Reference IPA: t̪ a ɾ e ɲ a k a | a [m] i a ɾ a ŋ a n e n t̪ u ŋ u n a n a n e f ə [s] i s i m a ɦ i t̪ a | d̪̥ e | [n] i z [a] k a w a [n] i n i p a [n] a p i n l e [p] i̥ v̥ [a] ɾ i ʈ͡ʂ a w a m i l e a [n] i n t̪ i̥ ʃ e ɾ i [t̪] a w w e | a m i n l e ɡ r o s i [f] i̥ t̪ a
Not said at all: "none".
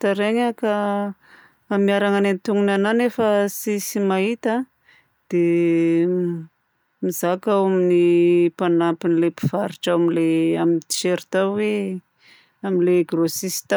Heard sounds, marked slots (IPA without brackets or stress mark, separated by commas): m, s, m, a, m, n, p, a, m, t̪, s